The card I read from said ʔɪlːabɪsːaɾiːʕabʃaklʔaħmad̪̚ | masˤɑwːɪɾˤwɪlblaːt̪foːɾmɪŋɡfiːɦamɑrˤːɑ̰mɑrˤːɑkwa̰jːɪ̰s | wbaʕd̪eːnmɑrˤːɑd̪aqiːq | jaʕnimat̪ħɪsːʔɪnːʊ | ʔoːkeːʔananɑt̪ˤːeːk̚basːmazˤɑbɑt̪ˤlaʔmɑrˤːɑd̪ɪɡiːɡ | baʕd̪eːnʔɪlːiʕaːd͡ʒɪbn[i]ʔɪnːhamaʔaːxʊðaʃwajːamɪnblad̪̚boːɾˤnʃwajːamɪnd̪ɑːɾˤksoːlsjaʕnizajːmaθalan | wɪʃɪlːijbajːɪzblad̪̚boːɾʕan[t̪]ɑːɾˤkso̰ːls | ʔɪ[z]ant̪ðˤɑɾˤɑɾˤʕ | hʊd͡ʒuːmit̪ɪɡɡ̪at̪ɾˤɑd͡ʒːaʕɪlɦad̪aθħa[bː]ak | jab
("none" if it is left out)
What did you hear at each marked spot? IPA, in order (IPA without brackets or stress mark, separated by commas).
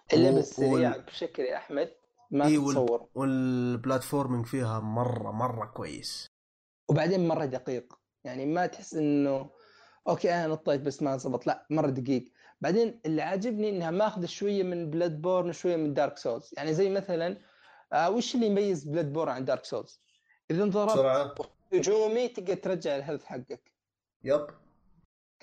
i, d̪, ð, ɡː